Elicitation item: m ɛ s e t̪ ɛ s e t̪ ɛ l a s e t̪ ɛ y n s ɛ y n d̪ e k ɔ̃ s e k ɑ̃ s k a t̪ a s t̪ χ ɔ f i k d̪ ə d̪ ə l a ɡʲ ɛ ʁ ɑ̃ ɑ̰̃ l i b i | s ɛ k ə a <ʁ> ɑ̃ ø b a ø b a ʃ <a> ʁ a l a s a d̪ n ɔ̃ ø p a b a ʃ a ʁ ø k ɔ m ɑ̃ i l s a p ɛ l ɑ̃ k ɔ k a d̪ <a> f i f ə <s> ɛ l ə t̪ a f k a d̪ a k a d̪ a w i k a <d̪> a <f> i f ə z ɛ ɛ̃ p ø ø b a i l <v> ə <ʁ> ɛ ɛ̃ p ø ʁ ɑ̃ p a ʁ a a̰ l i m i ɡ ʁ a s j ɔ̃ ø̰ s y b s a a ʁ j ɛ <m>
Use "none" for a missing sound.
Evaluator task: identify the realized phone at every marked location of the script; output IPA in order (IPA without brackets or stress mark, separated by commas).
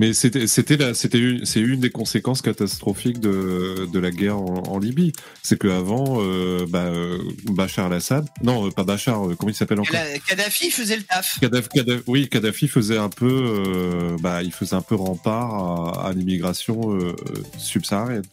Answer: v, a, a, z, d̪, f, f, z, n